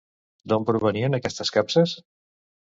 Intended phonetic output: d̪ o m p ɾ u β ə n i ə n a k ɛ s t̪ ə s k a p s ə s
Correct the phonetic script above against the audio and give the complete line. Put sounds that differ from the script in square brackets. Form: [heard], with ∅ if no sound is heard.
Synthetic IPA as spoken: d̪ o m p ɾ u β ə n i ə n [ə] k ɛ s t̪ ə s k a p s ə s